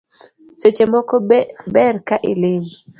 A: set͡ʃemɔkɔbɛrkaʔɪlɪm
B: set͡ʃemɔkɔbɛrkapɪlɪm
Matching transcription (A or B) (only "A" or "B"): A